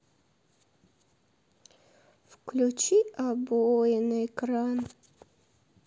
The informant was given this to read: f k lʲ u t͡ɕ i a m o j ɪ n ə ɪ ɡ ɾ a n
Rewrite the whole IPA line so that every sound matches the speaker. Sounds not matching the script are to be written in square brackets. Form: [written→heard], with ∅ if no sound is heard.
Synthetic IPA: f k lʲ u t͡ɕ i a [m→b] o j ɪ n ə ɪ [ɡ→k] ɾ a n